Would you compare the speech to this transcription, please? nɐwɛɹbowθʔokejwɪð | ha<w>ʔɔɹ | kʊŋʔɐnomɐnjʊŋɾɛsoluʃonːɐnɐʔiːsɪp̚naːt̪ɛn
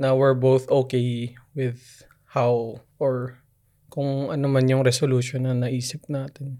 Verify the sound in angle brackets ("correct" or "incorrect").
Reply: correct